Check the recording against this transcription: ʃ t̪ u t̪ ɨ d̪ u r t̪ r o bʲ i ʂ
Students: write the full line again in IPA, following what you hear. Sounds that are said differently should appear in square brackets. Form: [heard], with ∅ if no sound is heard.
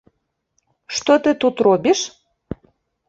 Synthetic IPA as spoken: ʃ t̪ [o] t̪ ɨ [t̪] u [∅] t̪ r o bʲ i [ʃ]